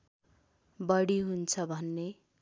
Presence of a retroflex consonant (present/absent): present